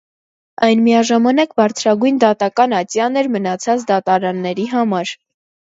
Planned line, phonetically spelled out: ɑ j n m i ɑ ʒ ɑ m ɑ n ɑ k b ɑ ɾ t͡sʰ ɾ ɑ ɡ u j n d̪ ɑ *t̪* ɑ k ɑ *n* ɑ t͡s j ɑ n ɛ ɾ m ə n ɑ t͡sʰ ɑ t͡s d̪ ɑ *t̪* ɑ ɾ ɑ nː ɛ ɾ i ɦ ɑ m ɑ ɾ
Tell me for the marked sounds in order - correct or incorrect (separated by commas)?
correct, correct, correct